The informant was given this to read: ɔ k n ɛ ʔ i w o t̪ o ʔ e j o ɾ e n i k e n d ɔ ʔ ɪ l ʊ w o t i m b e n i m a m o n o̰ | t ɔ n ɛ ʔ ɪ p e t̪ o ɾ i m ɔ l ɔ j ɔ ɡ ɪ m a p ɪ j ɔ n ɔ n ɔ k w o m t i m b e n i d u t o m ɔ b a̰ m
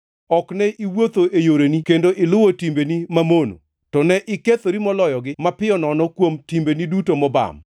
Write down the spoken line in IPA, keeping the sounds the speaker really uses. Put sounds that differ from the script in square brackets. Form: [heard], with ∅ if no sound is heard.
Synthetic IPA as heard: ɔ k n ɛ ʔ i w o t̪ o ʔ e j o ɾ e n i k e n d [o] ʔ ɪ l ʊ w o t i m b e n i m a m o n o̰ | t ɔ n ɛ ʔ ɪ [k] e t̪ o ɾ i m ɔ l ɔ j ɔ ɡ ɪ m a p ɪ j ɔ n ɔ n ɔ k w o m t i m b e n i d u t o m ɔ b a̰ m